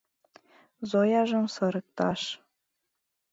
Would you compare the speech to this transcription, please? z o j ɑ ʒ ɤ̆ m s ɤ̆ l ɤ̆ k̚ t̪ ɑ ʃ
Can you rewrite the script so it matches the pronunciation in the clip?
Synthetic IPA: z o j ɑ ʒ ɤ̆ m s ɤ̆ ɾ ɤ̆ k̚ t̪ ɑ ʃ

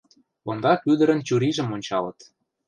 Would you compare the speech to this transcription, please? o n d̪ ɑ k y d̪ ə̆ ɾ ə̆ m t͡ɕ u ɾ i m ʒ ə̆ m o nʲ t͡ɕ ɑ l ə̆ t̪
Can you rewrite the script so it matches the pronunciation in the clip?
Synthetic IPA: o n d̪ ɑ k y d̪ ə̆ ɾ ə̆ n t͡ɕ u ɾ i ʒ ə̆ m o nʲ t͡ɕ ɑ l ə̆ t̪

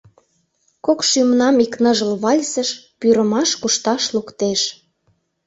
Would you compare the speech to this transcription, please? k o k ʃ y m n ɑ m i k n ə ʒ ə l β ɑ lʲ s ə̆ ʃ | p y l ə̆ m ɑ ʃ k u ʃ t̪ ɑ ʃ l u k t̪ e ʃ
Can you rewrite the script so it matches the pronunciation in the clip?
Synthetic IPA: k o k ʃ y m n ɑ m i k n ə ʒ ə l β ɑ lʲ s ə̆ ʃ | p y ɾ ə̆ m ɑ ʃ k u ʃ t̪ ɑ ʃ l u k t̪ e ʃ

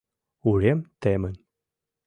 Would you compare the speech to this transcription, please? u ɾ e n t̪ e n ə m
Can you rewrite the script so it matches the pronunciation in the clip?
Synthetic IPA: u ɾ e m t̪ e m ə n

